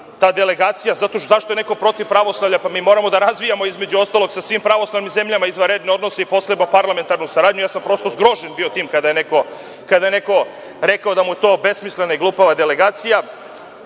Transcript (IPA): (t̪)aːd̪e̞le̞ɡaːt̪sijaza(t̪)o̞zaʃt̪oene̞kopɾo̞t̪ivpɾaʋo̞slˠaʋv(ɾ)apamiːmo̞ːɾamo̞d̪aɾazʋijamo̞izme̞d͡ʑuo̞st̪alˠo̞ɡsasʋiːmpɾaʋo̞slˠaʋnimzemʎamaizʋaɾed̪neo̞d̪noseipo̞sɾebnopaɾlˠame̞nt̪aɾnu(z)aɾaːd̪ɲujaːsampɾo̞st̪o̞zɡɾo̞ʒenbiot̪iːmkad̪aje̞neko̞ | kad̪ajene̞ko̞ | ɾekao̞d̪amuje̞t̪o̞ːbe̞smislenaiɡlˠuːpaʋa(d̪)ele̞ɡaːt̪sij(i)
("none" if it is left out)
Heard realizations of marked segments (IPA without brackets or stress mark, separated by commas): t̪, t̪, ʎ, s, d̪, a